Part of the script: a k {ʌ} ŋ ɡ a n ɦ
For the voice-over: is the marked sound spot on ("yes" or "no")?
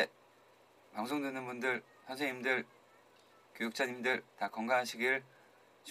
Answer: yes